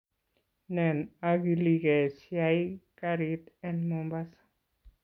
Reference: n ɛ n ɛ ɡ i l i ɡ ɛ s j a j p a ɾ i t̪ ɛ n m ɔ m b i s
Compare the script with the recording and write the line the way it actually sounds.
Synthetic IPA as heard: n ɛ n a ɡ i l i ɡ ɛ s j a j k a ɾ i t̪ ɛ n m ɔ m b a s